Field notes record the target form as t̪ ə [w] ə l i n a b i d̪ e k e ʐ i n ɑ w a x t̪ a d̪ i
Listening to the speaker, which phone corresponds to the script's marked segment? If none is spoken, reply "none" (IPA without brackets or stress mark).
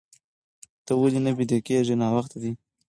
w